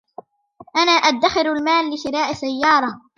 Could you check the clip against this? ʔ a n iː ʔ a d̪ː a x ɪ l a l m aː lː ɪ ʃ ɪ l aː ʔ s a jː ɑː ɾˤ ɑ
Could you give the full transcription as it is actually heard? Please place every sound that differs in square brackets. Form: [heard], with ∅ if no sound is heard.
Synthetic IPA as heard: ʔ a n [aː] ʔ a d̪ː a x ɪ [ɾ] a l m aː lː ɪ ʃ ɪ [ɾ] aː ʔ s a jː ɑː ɾˤ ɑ